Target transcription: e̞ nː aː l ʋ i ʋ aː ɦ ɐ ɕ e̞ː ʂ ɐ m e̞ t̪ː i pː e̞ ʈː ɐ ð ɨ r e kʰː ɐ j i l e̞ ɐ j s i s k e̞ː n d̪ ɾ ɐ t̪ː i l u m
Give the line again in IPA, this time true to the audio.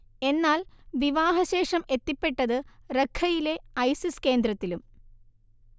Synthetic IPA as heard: e̞ nː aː l ʋ i ʋ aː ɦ ɐ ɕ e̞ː ʂ ɐ m e̞ t̪ː i pː e̞ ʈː ɐ ð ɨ r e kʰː ɐ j i l e̞ ɐ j s i s k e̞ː n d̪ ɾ ɐ t̪ː i l u m